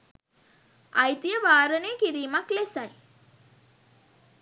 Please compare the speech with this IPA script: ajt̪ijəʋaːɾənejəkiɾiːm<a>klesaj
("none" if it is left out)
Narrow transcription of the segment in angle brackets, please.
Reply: a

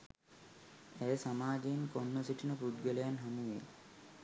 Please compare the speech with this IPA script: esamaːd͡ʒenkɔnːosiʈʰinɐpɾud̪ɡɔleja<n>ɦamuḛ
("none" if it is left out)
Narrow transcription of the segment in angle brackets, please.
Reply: n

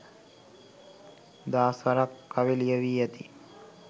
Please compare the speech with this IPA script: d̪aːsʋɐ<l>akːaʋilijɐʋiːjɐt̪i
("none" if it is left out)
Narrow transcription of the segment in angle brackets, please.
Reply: ɾ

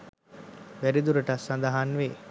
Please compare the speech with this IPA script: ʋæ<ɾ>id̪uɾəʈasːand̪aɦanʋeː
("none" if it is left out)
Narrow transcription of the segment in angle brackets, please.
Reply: ɾ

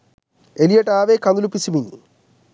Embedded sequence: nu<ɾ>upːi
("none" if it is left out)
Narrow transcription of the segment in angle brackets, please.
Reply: l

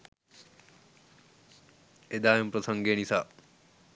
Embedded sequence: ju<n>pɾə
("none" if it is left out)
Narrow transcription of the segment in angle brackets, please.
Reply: m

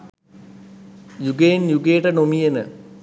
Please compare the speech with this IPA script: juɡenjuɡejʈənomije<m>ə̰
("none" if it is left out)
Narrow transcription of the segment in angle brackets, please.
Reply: n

